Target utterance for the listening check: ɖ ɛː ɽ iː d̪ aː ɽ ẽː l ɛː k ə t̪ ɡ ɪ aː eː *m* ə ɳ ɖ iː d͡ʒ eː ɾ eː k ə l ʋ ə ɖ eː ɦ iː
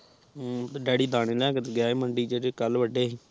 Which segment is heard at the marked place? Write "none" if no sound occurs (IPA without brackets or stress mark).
m